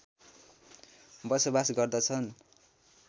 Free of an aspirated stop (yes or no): no